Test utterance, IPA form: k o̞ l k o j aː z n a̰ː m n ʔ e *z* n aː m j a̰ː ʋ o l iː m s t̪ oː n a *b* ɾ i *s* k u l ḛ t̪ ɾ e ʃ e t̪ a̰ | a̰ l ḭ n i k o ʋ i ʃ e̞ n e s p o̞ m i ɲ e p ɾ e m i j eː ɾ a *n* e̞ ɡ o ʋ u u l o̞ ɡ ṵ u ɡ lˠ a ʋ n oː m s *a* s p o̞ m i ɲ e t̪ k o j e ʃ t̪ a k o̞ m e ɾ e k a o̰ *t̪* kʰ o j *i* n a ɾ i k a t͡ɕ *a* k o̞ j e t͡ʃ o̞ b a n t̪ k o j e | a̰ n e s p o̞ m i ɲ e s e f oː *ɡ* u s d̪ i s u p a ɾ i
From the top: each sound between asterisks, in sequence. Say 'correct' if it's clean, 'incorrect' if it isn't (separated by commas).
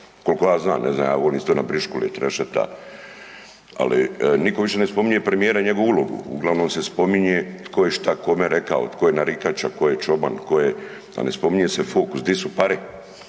correct, correct, incorrect, incorrect, incorrect, correct, incorrect, correct, incorrect